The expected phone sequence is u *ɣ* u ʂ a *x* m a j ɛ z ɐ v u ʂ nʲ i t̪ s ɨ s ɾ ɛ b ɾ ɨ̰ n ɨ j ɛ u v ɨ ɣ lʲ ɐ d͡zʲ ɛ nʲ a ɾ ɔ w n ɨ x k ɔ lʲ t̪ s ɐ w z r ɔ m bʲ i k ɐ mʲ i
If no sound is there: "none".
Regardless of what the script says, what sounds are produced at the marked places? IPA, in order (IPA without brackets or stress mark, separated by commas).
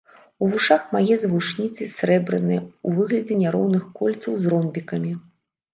v, x